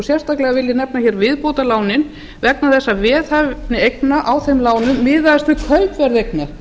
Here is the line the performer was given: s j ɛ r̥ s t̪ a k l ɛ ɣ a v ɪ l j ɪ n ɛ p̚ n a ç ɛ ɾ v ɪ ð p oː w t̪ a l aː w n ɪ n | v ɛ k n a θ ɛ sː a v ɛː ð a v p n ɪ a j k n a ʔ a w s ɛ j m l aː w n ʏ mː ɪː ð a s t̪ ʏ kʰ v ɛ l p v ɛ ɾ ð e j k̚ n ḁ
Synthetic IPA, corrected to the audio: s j ɛ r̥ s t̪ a k l ɛ ɣ a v ɪ l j ɪ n ɛ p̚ n a ç ɛ ɾ v ɪ ð p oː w t̪ a l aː w n ɪ n | v ɛ k n a θ ɛ sː a v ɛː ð a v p n ɪ e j k n a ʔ a w θ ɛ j m l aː w n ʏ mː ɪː ð a s t̪ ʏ kʰ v œ l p v ɛ ɾ ð e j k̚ n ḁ